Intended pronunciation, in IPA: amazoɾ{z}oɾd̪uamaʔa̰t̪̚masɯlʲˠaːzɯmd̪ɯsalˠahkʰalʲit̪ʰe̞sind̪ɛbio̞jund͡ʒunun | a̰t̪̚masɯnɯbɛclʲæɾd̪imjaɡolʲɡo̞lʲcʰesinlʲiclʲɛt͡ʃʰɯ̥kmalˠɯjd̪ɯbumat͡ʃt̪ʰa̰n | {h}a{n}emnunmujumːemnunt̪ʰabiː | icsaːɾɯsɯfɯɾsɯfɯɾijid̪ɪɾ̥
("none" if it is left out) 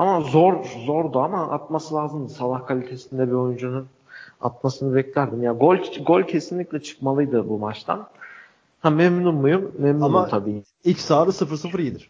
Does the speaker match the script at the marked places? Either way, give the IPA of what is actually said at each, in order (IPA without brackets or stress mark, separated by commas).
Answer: z, h, m